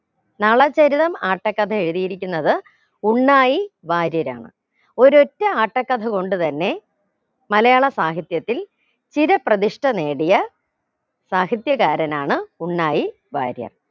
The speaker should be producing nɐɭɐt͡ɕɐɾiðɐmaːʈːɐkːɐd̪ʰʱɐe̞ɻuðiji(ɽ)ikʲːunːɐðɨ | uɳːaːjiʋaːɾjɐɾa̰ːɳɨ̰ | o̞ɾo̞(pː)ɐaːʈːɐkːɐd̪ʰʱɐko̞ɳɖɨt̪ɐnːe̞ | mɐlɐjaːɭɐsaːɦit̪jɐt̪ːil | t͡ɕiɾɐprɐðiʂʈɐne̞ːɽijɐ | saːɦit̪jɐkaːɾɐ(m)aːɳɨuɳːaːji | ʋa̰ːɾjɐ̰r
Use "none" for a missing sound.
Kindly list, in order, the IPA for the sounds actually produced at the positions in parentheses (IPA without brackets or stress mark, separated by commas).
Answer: ɾ, tː, n